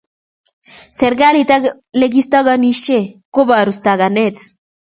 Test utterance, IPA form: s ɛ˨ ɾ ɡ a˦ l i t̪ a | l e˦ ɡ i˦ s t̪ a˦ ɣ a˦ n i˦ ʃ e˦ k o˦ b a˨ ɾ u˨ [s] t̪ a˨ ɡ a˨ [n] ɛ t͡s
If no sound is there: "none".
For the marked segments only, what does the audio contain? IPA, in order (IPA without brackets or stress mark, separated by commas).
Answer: s, n